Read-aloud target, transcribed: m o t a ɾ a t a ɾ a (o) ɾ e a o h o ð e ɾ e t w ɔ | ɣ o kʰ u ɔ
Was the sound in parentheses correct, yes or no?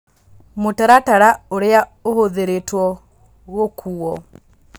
yes